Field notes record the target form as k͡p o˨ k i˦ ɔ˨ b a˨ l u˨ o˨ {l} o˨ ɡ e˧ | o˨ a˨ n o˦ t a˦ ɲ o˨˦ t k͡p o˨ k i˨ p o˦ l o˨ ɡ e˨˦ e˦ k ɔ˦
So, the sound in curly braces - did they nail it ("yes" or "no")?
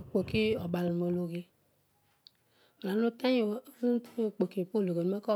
yes